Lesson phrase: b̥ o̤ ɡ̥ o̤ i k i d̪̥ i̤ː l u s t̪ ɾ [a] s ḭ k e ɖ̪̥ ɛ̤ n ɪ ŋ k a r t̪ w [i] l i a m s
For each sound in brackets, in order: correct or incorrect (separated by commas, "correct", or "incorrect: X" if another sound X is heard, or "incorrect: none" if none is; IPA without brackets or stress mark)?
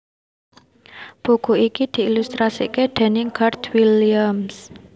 correct, correct